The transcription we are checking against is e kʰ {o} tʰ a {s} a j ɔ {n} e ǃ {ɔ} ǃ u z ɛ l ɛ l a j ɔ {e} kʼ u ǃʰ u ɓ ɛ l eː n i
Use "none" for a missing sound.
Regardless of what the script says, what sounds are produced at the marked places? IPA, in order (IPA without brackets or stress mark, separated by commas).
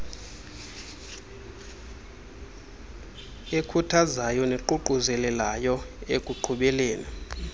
u, z, n, u, e